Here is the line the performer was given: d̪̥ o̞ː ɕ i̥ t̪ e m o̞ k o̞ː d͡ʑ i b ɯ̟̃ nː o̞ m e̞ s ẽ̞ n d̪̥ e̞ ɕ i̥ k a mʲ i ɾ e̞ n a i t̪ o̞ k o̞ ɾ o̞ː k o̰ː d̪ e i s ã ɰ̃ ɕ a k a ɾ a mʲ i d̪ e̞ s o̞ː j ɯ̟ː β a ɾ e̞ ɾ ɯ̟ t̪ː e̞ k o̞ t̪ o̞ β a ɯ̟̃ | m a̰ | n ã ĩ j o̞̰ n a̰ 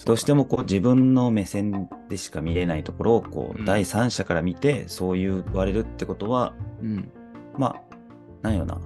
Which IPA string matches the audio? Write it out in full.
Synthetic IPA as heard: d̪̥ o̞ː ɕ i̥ t̪ e m o̞ k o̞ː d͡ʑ i b ɯ̟̃ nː o̞ m e̞ s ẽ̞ n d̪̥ e̞ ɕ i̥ k a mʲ i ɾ e̞ n a i t̪ o̞ k o̞ ɾ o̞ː k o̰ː d̪ a i s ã ɰ̃ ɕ a k a ɾ a mʲ i t̪ e̞ s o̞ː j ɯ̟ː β a ɾ e̞ ɾ ɯ̟ t̪ː e̞ k o̞ t̪ o̞ β a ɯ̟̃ | m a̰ | n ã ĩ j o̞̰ n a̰